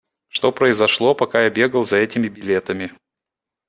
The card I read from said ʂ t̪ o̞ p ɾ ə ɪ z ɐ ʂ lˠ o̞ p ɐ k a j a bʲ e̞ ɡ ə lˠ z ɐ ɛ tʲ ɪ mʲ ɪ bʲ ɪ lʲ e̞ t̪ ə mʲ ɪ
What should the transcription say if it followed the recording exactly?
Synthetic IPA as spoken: ʂ t̪ o̞ p ɾ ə ɪ z ɐ ʂ lˠ o̞ p ɐ k a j a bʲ e̞ ɡ ə lˠ z ɐ ɛ tʲ ɪ mʲ ɪ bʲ ɪ lʲ e̞ t̪ ə mʲ ɪ